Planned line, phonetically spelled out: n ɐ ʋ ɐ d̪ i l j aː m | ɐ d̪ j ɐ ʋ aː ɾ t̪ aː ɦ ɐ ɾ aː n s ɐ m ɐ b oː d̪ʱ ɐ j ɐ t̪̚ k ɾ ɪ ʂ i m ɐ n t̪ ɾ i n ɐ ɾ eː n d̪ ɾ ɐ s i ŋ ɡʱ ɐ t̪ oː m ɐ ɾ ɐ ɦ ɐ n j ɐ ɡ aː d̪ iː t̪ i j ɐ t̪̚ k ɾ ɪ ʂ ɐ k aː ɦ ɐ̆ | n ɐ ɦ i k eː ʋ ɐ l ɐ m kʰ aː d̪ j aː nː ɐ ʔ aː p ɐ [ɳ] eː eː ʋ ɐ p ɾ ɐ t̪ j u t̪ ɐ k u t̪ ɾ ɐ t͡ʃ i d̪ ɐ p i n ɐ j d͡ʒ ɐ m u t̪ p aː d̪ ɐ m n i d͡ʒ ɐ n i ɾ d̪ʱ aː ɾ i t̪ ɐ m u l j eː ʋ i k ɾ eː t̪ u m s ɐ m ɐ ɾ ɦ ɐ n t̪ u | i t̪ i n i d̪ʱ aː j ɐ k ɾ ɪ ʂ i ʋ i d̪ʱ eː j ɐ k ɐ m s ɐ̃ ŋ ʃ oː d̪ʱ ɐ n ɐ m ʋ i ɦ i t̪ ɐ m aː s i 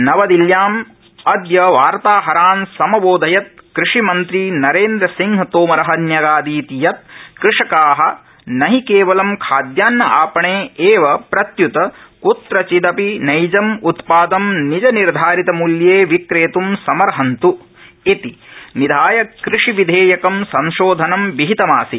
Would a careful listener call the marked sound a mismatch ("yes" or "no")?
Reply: no